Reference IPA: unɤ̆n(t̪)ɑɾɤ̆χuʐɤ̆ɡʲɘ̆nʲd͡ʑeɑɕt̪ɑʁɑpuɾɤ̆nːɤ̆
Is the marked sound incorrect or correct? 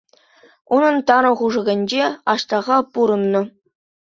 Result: correct